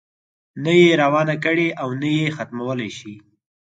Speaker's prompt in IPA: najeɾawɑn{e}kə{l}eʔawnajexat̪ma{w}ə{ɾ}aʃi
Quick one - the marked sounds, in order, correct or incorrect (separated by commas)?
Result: incorrect, incorrect, correct, incorrect